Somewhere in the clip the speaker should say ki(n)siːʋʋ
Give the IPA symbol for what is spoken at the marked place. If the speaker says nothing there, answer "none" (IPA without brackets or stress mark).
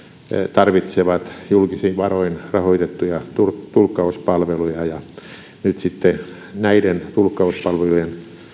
none